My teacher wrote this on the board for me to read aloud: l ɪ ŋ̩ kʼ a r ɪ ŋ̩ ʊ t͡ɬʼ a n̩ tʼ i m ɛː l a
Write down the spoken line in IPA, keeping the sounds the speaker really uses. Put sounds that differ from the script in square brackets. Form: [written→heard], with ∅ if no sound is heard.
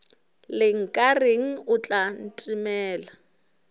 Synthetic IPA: l ɪ ŋ̩ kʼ a r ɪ ŋ̩ ʊ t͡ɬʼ a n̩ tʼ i m ɛː l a